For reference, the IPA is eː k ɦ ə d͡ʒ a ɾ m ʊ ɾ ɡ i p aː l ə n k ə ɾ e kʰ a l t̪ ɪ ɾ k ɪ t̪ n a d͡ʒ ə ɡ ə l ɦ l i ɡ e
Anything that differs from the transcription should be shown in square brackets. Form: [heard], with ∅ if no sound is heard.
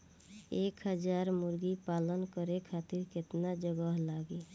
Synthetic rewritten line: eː k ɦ ə d͡ʒ a ɾ m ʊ ɾ ɡ i p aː l ə n k ə ɾ e kʰ a [∅] t̪ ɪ ɾ k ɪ t̪ n a d͡ʒ ə ɡ ə [∅] ɦ l [a] ɡ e